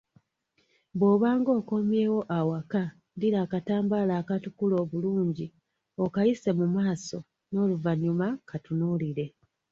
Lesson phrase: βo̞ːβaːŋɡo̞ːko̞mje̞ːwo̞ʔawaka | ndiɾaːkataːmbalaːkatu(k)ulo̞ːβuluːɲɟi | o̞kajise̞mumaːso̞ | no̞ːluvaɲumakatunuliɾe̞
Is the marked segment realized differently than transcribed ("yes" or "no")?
no